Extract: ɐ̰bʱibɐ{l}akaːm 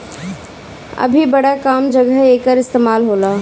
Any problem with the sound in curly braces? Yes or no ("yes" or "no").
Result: yes